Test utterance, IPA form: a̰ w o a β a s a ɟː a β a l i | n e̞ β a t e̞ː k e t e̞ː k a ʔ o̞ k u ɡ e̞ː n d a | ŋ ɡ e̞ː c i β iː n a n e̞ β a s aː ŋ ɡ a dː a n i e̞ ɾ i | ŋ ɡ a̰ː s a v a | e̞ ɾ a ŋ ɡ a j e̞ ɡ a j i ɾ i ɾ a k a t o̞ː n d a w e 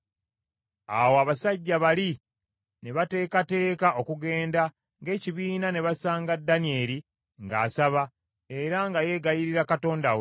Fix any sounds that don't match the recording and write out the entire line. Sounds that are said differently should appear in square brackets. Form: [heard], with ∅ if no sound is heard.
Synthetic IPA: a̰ w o a β a s a ɟː a β a l i | n e̞ β a t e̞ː k [a] t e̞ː k a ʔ o̞ k u ɡ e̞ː n d a | ŋ ɡ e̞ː c i β iː n a n e̞ β a s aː ŋ ɡ a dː a n i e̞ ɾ i | ŋ ɡ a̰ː s a [β] a | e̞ ɾ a ŋ ɡ a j e̞ ɡ a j i ɾ i ɾ a k a t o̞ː n d a w e